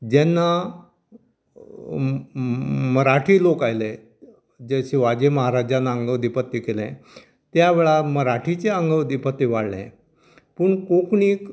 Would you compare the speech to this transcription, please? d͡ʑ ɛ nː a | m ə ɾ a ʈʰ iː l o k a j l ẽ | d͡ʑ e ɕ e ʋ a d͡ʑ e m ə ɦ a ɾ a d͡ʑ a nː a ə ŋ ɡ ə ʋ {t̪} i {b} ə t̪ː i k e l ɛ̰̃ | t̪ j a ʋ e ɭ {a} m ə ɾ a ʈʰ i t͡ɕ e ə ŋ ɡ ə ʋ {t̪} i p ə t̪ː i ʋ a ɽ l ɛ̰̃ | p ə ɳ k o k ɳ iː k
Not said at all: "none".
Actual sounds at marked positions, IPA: d̪, p, a, d̪

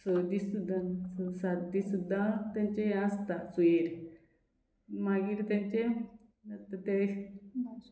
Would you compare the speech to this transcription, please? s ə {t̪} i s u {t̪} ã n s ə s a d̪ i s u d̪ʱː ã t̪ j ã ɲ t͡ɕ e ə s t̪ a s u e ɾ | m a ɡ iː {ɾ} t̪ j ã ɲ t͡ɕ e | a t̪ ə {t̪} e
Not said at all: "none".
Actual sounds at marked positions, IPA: d̪, d̪, ɾ, t̪

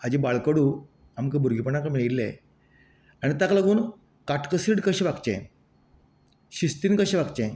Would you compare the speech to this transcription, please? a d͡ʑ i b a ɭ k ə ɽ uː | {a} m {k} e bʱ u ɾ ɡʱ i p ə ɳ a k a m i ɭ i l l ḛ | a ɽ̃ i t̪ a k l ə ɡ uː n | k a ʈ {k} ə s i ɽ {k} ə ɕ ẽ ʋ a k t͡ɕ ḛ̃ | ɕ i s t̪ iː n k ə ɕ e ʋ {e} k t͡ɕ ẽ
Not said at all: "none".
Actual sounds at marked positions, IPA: a, k, k, k, a

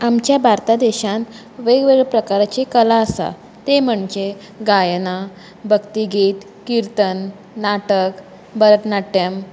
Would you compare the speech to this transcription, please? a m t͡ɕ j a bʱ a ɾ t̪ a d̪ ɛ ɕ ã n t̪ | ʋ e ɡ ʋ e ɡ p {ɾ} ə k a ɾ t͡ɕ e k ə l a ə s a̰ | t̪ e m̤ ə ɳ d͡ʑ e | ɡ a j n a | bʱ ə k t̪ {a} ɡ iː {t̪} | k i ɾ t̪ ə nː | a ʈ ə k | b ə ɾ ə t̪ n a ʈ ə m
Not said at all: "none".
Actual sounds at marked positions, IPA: ɾ, i, t̪

